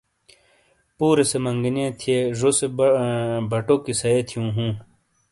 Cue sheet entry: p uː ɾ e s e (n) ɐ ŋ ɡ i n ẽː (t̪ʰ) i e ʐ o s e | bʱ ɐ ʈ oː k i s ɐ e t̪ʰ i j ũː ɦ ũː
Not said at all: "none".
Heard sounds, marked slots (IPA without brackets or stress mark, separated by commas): m, t̪ʰ